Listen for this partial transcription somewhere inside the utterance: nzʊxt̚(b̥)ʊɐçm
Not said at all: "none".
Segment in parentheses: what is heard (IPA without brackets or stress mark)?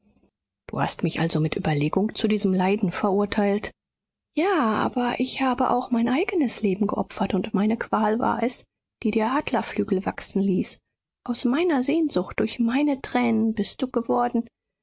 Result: d̥